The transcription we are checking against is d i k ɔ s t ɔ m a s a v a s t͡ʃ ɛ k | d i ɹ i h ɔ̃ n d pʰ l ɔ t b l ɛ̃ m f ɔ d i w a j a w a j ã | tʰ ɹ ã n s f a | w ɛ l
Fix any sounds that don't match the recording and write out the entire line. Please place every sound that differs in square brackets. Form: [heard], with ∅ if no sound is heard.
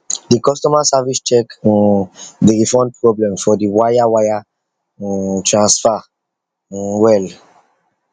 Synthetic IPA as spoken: d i k ɔ s t ɔ m a s a v [i] s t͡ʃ ɛ k | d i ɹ i [f] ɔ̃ n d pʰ [ɹ] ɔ [∅] b l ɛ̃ m f ɔ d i w a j a w a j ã | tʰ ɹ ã n s f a | w ɛ l